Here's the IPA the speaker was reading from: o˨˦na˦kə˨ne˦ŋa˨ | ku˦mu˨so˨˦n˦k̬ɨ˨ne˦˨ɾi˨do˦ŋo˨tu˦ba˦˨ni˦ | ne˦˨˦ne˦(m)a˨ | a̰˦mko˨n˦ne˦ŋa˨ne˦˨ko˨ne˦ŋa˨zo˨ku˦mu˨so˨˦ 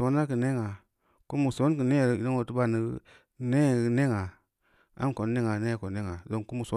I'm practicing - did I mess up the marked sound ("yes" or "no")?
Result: yes